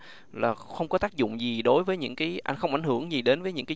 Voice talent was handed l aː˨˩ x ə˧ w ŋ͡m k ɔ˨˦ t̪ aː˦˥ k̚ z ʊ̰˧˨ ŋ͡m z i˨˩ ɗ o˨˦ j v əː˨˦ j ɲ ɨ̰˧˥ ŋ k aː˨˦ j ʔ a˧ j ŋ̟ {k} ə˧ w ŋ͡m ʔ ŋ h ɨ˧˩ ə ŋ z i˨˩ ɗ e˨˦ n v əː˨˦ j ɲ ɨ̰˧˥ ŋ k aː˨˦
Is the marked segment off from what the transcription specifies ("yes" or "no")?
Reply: yes